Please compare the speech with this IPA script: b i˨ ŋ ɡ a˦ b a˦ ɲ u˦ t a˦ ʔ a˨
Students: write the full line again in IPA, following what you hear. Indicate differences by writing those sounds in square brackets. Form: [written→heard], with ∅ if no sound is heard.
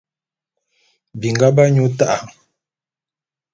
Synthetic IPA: b i˨ ŋ ɡ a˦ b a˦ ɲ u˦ t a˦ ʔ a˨